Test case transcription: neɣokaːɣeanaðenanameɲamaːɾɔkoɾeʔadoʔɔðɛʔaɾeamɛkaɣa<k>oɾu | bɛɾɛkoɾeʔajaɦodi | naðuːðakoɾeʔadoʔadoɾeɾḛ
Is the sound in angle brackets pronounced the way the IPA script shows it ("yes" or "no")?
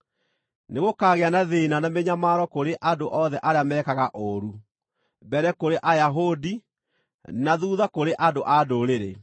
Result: no